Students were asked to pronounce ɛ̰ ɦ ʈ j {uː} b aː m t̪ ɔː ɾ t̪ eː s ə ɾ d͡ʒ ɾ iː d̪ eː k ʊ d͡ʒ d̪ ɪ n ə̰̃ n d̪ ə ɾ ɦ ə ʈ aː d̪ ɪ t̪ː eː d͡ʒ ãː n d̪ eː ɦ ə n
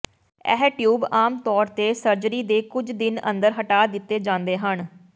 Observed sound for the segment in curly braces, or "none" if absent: uː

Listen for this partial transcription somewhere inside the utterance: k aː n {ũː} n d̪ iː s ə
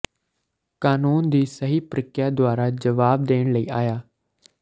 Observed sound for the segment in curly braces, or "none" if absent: uː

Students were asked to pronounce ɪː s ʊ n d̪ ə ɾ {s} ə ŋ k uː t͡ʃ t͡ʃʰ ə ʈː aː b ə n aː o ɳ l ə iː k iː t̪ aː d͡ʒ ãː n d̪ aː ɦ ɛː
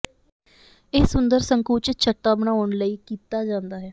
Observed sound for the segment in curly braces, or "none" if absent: s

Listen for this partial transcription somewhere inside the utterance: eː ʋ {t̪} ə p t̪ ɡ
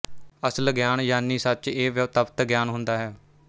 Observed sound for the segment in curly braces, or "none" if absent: t̪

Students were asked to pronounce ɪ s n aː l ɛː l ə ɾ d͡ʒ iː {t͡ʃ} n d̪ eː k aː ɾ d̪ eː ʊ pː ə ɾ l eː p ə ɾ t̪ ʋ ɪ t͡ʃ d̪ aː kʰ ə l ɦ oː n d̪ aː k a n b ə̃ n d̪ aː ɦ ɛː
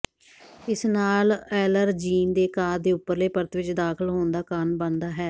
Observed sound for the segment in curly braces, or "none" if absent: none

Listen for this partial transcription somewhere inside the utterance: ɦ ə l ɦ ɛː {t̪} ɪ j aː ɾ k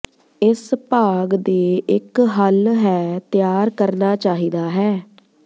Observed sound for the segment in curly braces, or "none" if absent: t̪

